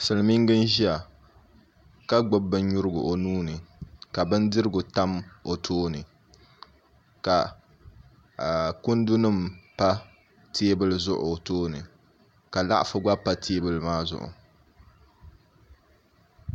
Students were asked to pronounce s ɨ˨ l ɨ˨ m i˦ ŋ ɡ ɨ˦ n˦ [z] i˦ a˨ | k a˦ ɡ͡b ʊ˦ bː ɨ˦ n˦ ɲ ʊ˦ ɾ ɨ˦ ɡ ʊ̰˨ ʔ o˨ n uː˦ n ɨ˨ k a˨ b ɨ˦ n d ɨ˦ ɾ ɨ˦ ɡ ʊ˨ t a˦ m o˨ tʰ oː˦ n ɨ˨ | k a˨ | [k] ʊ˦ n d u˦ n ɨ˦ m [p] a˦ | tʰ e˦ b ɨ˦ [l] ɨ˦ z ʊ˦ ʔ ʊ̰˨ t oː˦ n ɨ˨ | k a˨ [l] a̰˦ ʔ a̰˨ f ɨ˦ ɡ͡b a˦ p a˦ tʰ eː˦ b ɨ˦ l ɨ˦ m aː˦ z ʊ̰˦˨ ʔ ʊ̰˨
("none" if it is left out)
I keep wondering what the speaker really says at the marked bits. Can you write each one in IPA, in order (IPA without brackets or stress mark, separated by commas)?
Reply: ʒ, k, p, l, l